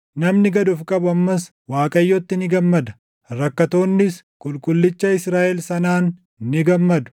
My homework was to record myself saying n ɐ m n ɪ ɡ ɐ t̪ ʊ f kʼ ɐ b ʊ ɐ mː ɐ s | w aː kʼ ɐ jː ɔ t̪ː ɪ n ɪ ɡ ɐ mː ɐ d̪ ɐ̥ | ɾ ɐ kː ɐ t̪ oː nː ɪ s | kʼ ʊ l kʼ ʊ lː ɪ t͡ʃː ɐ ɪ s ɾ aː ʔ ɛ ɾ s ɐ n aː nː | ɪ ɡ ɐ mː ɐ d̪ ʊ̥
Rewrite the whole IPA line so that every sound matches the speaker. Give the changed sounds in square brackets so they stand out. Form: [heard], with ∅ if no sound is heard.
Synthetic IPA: n ɐ m n ɪ ɡ ɐ [d̪] ʊ f kʼ ɐ b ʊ ɐ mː ɐ s | w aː kʼ ɐ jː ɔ t̪ː ɪ n ɪ ɡ ɐ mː ɐ d̪ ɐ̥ | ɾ ɐ kː ɐ t̪ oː nː ɪ s | kʼ ʊ l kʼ ʊ lː ɪ t͡ʃː ɐ ɪ s ɾ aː ʔ ɛ [l] s ɐ n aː nː | ɪ ɡ ɐ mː ɐ d̪ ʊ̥